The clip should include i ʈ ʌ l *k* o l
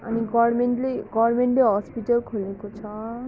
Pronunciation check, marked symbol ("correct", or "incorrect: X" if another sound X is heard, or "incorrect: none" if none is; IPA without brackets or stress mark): incorrect: kʰ